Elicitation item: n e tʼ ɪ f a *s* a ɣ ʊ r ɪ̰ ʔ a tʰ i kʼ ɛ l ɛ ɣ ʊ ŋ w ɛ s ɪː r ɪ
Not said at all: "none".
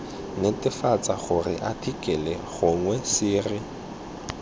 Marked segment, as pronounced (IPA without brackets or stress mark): t͡s